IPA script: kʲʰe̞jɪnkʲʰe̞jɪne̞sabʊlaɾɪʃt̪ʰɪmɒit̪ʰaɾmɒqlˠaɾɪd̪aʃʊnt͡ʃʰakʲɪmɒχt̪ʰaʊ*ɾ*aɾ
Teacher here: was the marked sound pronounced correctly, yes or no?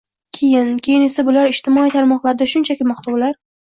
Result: no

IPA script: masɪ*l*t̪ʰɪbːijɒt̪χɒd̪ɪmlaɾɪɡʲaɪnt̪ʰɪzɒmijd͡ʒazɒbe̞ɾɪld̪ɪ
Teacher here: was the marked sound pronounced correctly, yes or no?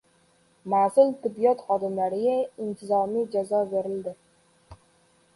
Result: yes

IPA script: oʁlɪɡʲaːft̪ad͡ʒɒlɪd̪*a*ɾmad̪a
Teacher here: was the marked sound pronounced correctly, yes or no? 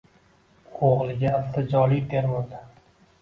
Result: no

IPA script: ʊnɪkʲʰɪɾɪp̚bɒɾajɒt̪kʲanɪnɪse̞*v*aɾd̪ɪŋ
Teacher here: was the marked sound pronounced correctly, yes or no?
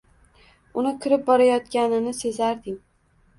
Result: no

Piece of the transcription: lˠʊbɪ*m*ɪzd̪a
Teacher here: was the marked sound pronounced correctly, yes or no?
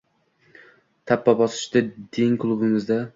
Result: yes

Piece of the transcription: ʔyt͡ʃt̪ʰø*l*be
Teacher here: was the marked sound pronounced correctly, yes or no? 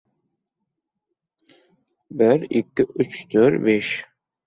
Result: no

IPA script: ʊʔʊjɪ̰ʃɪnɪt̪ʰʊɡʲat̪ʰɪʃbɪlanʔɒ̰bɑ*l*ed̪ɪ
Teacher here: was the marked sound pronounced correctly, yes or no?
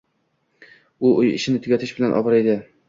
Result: no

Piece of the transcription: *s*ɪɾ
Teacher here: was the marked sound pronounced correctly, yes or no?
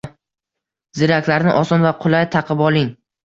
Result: no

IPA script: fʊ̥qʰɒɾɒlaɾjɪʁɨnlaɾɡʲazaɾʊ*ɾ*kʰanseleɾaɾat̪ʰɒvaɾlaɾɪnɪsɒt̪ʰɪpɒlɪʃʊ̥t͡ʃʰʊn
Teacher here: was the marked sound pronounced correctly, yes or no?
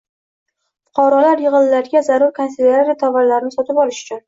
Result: yes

